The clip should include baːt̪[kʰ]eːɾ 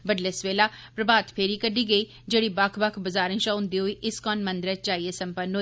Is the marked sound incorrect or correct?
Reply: incorrect